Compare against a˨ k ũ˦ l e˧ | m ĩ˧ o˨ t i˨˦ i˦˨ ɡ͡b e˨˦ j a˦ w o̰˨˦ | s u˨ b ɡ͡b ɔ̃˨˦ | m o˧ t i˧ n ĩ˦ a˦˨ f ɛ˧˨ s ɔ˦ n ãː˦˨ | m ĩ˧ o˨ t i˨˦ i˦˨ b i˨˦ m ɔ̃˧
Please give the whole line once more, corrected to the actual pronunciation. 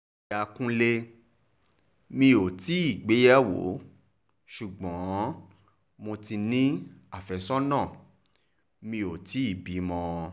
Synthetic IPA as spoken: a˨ k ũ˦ l e˧ | m ĩ˧ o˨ t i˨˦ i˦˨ ɡ͡b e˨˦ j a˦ w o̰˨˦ | ʃ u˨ ɡ͡b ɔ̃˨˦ | m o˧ t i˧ n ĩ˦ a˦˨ f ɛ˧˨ s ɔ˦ n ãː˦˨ | m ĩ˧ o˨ t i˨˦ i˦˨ b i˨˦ m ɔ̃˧

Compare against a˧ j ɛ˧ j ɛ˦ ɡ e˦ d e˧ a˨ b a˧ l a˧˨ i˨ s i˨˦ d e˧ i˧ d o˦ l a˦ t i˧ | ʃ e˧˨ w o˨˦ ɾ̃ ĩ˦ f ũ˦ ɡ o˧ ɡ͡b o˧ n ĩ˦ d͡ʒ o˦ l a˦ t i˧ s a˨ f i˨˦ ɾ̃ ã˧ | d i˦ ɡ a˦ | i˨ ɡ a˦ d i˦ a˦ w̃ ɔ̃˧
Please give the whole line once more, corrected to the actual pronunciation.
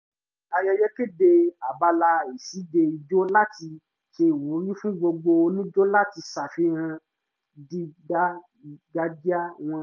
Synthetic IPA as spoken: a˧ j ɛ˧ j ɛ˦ k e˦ d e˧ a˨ b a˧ l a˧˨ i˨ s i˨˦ d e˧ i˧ d͡ʒ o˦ l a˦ t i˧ | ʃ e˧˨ w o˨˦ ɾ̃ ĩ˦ f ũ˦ ɡ͡b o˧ ɡ͡b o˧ n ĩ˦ d͡ʒ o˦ l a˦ t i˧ s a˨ f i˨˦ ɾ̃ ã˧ | d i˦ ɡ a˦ | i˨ ɡ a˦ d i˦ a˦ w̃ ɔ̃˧

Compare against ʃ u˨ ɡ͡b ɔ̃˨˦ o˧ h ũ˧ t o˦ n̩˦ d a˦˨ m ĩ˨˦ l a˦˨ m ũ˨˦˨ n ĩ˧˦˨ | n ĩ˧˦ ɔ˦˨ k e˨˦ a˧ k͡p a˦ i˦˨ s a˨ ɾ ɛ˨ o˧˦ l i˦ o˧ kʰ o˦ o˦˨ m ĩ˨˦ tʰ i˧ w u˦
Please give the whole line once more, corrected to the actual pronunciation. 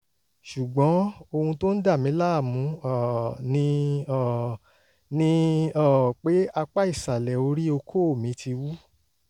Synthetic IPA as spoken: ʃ u˨ ɡ͡b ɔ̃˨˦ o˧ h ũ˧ t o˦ n̩˦ d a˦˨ m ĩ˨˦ l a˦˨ m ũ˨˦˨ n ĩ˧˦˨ | n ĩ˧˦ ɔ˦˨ k͡p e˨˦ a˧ k͡p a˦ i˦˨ s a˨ l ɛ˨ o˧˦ ɾ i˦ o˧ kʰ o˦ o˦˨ m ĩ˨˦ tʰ i˧ w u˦

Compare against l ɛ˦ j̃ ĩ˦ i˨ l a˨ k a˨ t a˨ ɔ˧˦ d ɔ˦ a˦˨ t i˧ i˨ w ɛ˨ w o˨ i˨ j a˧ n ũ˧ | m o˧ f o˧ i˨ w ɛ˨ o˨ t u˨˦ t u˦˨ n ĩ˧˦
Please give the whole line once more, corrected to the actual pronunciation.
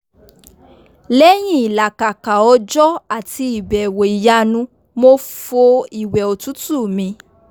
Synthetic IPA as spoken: l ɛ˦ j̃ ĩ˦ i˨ l a˨ k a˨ k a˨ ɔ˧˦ d͡ʒ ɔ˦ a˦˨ t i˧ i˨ b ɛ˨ w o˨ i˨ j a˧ n ũ˧ | m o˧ f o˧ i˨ w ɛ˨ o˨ t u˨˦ t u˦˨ m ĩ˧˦

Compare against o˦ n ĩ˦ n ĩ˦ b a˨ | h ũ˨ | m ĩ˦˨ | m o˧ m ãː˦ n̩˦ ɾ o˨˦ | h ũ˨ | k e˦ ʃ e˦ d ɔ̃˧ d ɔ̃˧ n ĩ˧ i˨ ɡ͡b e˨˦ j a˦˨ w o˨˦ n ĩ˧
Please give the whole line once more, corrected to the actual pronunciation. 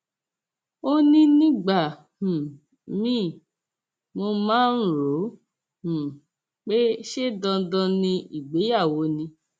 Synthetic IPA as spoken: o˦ n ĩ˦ n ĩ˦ ɡ͡b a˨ | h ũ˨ | m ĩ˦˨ | m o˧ m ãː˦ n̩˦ ɾ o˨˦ | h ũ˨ | k͡p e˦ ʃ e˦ d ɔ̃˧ d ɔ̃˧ n ĩ˧ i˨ ɡ͡b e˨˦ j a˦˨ w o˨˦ n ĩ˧

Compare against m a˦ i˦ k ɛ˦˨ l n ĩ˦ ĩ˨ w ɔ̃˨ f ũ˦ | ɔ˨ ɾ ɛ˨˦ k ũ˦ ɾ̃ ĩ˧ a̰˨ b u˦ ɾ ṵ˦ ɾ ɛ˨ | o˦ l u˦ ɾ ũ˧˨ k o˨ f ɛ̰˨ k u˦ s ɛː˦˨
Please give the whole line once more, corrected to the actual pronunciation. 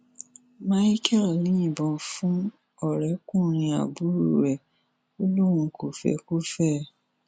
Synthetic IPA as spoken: m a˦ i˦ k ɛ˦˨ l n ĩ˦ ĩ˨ b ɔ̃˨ f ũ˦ | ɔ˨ ɾ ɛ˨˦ k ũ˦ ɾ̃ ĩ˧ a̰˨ b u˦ ɾ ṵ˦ ɾ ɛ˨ | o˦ l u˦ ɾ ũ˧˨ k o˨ f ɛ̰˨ k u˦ f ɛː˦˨

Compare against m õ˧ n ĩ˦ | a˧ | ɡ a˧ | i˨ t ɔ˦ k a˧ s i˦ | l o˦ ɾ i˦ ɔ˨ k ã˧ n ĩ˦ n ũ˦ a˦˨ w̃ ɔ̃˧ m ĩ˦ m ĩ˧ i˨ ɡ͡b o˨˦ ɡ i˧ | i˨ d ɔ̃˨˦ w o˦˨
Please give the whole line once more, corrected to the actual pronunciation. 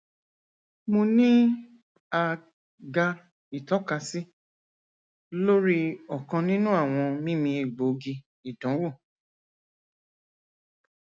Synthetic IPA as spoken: m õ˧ n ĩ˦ | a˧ | ɡ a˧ | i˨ t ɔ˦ k a˧ s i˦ | l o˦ ɾ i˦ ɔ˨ k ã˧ n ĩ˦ n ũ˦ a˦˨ w̃ ɔ̃˧ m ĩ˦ m ĩ˧ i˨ ɡ͡b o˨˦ ɡ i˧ | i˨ d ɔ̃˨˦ w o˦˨

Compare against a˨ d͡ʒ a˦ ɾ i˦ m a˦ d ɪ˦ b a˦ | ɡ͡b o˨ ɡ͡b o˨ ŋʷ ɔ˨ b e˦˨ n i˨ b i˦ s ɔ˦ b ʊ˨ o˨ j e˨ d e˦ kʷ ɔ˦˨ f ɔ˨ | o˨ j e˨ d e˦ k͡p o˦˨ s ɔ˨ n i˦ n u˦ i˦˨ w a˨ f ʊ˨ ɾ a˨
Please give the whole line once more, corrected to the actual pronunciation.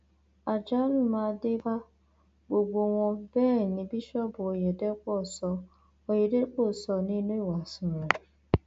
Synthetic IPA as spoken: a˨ d͡ʒ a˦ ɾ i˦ m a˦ d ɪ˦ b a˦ | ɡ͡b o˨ ɡ͡b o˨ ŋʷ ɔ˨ b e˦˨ n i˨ b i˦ ʃ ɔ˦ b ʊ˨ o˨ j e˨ d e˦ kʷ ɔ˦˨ s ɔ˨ | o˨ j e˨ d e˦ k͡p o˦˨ s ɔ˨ n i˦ n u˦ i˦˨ w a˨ s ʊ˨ ɾ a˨

